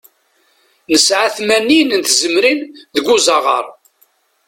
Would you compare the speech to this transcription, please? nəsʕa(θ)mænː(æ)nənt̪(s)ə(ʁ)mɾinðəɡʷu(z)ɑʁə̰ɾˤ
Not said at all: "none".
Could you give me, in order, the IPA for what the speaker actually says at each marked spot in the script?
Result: θ, i, z, none, z

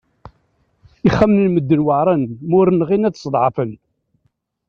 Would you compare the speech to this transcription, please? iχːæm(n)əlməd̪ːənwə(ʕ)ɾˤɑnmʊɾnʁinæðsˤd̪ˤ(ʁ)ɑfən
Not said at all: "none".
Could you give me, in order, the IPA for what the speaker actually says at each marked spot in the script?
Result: n, ʕ, ʕ

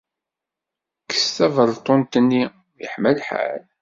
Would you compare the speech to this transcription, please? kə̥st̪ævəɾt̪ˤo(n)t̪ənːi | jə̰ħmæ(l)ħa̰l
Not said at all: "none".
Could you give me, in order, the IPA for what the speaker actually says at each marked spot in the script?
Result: n, l

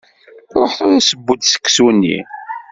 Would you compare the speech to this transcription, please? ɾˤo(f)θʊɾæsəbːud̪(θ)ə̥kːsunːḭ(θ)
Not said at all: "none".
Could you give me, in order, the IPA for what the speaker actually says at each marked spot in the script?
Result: ħ, s, none

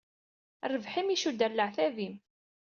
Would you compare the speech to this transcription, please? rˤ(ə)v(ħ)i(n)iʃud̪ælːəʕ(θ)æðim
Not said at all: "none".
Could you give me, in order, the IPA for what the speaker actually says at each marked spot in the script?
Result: ə, ħ, m, θ

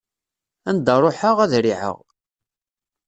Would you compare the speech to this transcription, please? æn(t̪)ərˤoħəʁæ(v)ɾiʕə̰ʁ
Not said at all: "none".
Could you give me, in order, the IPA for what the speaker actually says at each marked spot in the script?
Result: d̪, ð

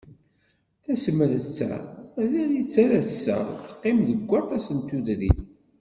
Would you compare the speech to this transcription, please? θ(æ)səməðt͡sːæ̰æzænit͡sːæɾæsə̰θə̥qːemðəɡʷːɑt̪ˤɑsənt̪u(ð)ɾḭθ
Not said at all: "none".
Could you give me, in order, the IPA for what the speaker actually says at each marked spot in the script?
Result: æ, ð

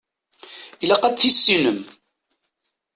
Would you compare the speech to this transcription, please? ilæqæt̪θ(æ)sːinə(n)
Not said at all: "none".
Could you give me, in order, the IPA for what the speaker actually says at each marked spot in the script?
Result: i, m

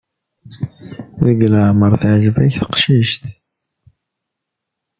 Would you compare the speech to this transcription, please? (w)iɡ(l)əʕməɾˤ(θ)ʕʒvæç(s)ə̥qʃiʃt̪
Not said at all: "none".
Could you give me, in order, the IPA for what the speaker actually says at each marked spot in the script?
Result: w, l, θ, θ

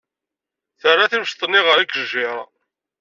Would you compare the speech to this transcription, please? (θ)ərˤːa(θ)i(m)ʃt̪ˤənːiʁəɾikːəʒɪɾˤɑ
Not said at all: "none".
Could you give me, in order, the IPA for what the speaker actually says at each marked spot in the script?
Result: θ, θ, m

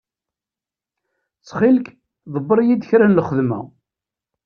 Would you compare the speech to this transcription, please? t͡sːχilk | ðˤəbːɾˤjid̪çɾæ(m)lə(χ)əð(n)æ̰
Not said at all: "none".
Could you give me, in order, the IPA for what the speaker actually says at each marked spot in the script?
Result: n, χ, m

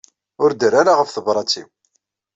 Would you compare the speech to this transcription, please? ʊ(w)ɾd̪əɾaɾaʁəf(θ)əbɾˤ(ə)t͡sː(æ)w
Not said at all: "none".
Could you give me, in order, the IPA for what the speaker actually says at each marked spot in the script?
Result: none, θ, ɑ, i

